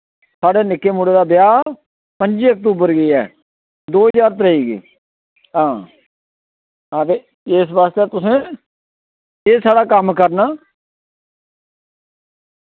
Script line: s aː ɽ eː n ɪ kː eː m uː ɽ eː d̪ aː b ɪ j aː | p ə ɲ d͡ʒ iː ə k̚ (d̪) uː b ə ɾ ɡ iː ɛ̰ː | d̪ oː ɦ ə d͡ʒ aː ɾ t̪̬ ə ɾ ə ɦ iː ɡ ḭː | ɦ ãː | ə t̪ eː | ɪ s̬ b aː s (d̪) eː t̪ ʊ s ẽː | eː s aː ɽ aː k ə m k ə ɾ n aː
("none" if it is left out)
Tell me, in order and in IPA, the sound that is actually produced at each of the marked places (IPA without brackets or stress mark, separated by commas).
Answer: t̪, t̪